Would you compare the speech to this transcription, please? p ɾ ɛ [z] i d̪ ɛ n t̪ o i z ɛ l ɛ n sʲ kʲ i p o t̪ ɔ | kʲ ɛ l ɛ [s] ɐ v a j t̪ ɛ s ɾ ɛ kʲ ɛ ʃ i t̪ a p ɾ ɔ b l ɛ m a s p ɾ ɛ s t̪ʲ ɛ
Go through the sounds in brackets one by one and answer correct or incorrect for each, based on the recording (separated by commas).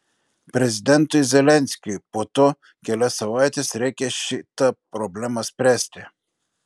correct, correct